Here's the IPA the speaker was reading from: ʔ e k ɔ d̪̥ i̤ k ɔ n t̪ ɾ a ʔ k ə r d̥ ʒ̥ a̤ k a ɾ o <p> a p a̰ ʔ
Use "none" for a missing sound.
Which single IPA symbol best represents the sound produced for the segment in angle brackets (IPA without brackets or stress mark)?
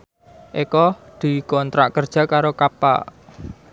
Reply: k